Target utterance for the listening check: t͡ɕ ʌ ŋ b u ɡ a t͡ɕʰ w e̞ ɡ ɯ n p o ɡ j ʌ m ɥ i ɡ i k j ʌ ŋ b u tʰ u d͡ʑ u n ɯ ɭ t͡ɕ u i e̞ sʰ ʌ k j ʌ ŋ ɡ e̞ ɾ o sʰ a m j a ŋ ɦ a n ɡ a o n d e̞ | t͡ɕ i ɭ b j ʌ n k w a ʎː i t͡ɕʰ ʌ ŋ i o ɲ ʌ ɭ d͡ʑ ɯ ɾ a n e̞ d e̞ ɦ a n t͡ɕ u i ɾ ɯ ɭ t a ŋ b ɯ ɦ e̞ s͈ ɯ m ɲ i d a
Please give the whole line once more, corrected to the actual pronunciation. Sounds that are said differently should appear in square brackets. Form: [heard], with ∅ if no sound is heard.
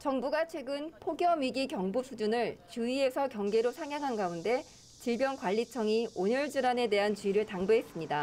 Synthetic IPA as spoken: t͡ɕ ʌ ŋ b u ɡ a t͡ɕʰ w e̞ ɡ ɯ n [pʰ] o ɡ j ʌ m ɥ i ɡ i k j ʌ ŋ b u [sʰ] u d͡ʑ u n ɯ ɭ t͡ɕ u i e̞ sʰ ʌ k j ʌ ŋ ɡ e̞ ɾ o sʰ a [ŋ] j a ŋ ɦ a n ɡ a [u] n d e̞ | t͡ɕ i ɭ b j ʌ n k w a ʎː i t͡ɕʰ ʌ ŋ i o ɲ ʌ ɭ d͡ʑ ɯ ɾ a n e̞ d e̞ ɦ a n t͡ɕ u i ɾ ɯ ɭ t a ŋ b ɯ ɦ e̞ s͈ ɯ m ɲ i d a